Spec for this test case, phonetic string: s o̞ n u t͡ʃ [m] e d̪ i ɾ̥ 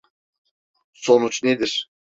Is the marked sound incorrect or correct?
incorrect